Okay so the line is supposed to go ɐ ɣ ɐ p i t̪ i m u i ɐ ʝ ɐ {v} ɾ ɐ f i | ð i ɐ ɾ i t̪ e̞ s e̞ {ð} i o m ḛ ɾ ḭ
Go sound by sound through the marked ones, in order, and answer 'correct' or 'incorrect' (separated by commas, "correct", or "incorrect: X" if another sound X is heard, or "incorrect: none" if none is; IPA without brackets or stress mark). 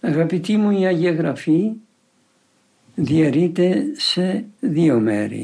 incorrect: ɣ, correct